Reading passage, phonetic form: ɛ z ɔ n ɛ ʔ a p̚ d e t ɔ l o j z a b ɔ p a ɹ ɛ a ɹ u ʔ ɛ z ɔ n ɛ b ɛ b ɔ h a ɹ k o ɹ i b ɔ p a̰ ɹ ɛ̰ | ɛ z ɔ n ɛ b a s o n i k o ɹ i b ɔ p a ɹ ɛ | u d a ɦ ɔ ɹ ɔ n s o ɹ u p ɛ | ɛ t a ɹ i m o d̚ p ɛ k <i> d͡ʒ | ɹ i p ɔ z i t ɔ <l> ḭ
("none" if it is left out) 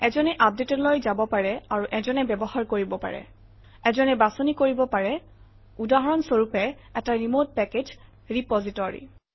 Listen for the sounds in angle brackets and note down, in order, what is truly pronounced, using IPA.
e, ɹ

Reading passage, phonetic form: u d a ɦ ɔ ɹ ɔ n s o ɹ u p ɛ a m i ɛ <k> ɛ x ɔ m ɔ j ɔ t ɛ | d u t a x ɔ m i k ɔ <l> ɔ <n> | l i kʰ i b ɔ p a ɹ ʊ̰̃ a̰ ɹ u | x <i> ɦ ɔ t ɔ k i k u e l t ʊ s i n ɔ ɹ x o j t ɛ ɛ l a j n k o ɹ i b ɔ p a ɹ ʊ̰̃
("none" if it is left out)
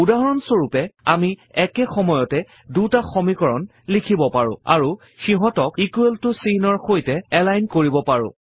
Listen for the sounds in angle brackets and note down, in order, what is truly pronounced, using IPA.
k, ɹ, n, i

